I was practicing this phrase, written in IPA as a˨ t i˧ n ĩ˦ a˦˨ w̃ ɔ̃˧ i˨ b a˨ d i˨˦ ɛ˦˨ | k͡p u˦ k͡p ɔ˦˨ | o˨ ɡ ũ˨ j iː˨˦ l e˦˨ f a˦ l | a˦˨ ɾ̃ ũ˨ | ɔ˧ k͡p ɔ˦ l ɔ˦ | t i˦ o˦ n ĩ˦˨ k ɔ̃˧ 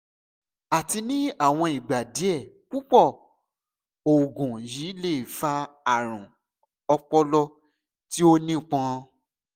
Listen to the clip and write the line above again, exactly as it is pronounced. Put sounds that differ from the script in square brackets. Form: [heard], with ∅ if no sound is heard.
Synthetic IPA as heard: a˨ t i˧ n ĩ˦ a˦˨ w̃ ɔ̃˧ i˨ [ɡ͡b] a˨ d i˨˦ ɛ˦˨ | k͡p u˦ k͡p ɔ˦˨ | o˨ ɡ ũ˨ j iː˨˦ l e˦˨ f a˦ [∅] | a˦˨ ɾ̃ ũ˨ | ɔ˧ k͡p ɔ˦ l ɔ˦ | t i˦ o˦ n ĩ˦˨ [k͡p] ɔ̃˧

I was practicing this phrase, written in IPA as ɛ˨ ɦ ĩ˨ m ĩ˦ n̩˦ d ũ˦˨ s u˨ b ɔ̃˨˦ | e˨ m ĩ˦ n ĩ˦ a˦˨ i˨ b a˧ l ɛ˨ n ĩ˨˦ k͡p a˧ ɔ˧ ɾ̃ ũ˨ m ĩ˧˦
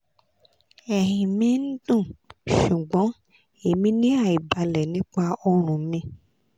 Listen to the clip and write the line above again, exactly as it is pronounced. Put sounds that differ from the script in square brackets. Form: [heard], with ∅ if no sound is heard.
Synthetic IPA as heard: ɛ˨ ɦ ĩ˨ m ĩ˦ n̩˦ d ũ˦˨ [ʃ] u˨ [ɡ͡b] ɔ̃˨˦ | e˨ m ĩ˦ n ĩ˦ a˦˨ i˨ b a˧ l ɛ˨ n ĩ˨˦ k͡p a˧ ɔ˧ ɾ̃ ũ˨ m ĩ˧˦

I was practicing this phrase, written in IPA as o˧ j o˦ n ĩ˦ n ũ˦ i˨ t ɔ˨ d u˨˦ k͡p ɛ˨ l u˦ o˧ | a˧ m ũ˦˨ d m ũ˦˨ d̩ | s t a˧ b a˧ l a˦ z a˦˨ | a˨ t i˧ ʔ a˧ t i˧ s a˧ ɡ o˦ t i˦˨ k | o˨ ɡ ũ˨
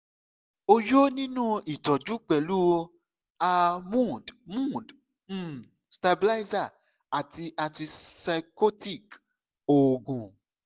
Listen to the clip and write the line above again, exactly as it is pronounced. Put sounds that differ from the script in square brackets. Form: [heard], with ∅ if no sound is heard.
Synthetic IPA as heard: o˧ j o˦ n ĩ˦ n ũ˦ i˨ t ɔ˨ [d͡ʒ] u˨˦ k͡p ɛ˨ l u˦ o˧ | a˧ m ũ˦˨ d m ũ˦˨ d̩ | s t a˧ b [i˧] l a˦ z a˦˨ | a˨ t i˧ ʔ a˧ t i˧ s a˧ [k] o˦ t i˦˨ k | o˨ ɡ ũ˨

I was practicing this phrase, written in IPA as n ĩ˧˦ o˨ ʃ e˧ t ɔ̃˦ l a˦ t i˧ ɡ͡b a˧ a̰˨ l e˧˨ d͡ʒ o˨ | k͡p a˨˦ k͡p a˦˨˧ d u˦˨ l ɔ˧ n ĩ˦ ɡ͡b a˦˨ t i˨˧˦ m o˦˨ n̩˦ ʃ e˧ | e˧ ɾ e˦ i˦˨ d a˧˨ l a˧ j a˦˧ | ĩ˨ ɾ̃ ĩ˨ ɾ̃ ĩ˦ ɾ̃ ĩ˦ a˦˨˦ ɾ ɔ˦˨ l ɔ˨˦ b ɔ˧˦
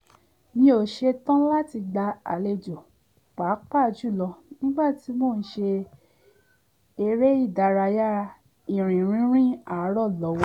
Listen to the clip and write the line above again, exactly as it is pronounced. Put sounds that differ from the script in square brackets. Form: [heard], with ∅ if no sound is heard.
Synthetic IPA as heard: n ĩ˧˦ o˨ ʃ e˧ t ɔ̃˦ l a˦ t i˧ ɡ͡b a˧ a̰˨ l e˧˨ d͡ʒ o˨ | k͡p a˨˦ k͡p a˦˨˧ [d͡ʒ] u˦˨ l ɔ˧ n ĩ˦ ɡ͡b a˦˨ t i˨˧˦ m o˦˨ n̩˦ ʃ e˧ | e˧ ɾ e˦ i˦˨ d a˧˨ [ɾ] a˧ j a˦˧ | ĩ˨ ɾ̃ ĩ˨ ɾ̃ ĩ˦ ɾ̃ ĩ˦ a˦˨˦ ɾ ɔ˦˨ l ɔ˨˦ [w] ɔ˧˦

